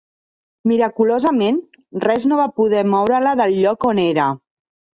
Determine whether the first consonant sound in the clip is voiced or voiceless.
voiced